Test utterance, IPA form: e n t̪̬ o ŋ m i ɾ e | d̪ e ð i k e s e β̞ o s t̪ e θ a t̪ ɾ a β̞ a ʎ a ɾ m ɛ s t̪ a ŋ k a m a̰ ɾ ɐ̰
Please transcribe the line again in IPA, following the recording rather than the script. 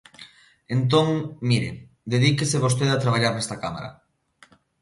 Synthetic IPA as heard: e n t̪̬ o ŋ m i ɾ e | d̪ e ð i k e s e β̞ o s t̪ e ð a t̪ ɾ a β̞ a ʎ a ɾ n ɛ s t̪ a k a m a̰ ɾ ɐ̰

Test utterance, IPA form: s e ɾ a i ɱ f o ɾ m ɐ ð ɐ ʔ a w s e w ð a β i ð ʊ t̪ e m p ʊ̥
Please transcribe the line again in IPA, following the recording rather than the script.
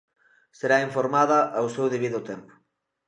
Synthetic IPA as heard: s e ɾ a i ɱ f o ɾ m a ð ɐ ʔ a w s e w ð e β i ð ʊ t̪ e m p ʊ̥

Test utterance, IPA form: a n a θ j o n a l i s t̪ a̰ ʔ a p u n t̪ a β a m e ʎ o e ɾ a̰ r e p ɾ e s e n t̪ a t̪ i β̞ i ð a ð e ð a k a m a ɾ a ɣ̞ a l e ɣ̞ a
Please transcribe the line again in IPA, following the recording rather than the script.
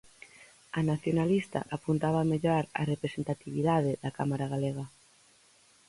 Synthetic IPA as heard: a n a θ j o n a l i s t̪ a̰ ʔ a p u n t̪ a β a m e ʎ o a ɾ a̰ r e p ɾ e s e n t̪ a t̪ i β̞ i ð a ð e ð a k a m a ɾ a ɣ̞ a l e ɣ̞ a

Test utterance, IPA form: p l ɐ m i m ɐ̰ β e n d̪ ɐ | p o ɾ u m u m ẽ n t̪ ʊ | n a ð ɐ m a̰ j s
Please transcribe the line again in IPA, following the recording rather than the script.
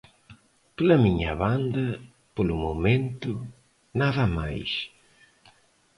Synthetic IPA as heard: p l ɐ m i ɲ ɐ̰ β a n d̪ ɐ | p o l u m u m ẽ n t̪ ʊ | n a ð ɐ m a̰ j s

